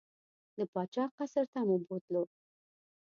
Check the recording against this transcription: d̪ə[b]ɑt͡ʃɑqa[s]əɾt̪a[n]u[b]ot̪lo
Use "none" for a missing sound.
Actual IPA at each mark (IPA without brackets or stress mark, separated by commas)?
p, s, m, b